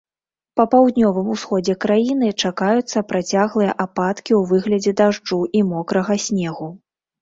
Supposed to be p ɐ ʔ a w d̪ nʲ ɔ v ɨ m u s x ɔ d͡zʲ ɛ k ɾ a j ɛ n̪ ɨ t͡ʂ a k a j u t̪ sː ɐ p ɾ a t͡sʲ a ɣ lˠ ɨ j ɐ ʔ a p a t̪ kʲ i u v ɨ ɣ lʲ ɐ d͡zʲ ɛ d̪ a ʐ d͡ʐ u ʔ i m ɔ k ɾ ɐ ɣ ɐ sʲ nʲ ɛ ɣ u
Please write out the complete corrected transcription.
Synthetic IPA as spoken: p ɐ p a w d̪ nʲ ɔ v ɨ m u s x ɔ d͡zʲ ɛ k ɾ a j i n̪ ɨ t͡ʂ a k a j u t̪ sː ɐ p ɾ a t͡sʲ a ɣ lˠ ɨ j ɐ ʔ a p a t̪ kʲ i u v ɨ ɣ lʲ ɐ d͡zʲ ɛ d̪ a ʐ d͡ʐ u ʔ i m ɔ k ɾ ɐ ɣ ɐ sʲ nʲ ɛ ɣ u